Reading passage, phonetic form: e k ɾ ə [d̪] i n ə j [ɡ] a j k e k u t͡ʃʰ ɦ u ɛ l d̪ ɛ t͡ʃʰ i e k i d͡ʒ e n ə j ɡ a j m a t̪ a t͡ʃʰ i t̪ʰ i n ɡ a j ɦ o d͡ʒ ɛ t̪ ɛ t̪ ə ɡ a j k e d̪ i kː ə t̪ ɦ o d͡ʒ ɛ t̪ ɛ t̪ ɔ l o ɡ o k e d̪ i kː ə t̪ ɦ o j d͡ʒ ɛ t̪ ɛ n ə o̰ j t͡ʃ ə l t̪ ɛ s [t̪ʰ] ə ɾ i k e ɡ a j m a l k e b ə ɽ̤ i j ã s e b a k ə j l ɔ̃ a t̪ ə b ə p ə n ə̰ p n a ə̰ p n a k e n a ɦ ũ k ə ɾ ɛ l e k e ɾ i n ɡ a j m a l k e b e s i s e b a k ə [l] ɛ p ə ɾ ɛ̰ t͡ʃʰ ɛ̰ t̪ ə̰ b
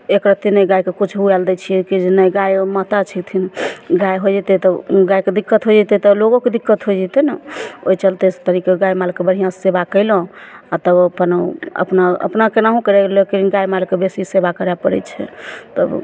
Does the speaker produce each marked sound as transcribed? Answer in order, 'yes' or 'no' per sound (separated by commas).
no, yes, no, no